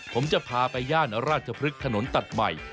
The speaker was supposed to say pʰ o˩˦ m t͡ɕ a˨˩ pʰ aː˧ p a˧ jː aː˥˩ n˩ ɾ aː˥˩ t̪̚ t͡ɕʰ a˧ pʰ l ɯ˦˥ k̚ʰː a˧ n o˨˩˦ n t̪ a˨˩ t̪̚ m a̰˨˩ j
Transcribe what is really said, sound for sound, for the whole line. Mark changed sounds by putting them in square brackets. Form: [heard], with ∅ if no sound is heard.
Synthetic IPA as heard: pʰ o˩˦ m t͡ɕ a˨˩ pʰ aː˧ p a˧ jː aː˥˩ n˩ ɾ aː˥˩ t̪̚ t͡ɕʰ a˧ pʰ [ɾ] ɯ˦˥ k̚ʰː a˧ n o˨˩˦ n t̪ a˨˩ t̪̚ m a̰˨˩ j